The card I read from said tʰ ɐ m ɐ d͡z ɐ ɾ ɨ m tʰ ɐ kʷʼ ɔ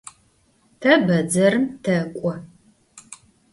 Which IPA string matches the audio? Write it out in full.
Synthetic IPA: tʰ ɐ b ɐ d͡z ɐ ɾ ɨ m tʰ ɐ kʷʼ ɔ